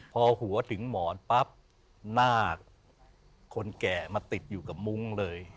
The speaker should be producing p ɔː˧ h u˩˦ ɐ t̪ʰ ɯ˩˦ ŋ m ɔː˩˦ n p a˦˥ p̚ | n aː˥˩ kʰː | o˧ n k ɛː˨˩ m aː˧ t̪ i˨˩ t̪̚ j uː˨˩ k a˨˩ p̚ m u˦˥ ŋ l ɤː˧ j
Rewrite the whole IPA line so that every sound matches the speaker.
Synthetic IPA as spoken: pʰ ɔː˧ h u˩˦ ɐ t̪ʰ ɯ˩˦ ŋ m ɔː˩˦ n p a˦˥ p̚ | n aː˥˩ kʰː | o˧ n k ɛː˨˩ m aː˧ t̪ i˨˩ t̪̚ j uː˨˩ k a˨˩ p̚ m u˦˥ ŋ l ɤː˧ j